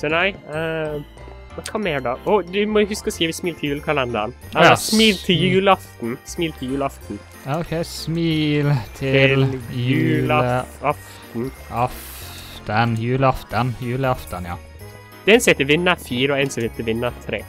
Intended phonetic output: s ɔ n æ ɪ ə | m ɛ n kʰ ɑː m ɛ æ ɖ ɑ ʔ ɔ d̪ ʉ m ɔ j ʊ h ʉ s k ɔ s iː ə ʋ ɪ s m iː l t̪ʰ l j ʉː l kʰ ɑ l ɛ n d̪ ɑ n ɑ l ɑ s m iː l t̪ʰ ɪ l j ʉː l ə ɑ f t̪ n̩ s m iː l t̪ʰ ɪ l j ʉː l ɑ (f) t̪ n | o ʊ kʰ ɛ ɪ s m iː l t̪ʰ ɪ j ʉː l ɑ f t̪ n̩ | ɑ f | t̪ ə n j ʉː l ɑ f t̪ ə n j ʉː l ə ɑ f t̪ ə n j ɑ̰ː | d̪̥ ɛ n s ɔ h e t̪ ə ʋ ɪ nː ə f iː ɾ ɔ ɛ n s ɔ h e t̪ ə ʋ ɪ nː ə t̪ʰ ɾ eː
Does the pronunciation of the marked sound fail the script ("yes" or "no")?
no